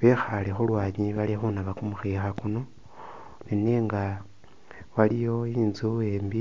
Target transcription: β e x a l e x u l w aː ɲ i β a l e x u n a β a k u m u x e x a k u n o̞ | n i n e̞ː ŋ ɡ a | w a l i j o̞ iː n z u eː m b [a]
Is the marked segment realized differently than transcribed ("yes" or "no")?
yes